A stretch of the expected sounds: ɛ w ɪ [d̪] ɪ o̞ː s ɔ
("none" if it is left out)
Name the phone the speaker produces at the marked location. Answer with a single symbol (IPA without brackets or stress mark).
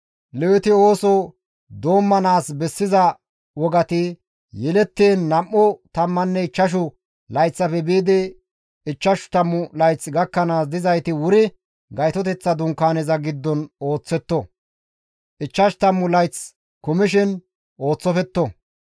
t̪